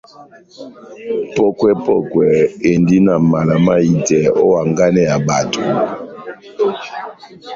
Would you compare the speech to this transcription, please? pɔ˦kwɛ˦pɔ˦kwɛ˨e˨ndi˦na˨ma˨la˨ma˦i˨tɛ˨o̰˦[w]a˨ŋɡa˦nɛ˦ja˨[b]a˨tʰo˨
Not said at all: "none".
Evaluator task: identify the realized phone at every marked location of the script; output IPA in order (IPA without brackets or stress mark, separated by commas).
w, b